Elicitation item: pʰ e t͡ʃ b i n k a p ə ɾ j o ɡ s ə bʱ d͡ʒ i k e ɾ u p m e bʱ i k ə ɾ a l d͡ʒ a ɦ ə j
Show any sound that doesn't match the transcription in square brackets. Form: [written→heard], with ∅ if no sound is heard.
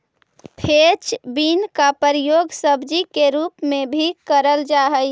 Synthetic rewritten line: pʰ e t͡ʃ b i n k a p ə ɾ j o ɡ s ə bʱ d͡ʒ i k e ɾ u p m e bʱ i k ə ɾ [a→ə] l d͡ʒ a ɦ ə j